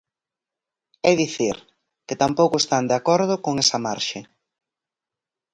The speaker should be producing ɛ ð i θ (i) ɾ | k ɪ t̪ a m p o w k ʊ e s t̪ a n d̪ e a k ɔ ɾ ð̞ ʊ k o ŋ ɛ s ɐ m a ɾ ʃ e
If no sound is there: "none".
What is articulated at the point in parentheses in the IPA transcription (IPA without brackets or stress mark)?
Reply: i